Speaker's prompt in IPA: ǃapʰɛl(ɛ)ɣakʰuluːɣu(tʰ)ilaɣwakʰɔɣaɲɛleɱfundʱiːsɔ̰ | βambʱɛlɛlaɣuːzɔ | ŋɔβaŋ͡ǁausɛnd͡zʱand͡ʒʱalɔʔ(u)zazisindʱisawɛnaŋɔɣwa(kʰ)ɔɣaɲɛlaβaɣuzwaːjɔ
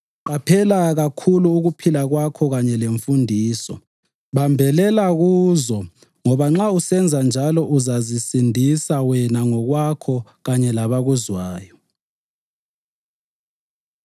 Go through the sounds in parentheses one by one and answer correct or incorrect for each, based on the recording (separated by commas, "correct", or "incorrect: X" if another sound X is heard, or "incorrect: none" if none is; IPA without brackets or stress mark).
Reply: incorrect: a, incorrect: pʰ, correct, correct